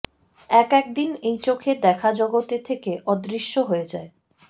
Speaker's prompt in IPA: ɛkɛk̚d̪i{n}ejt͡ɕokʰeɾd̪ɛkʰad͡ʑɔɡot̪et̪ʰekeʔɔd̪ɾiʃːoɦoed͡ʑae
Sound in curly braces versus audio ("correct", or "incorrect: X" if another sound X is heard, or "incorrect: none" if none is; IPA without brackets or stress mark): correct